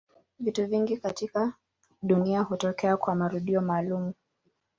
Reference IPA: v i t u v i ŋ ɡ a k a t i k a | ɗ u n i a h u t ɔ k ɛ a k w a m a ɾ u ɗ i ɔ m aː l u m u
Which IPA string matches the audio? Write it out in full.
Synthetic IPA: v i t u v i ŋ ɡ i k a t i k a | ɗ u n i a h u t ɔ k ɛ a k w a m a ɾ u ɗ i ɔ m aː l u m u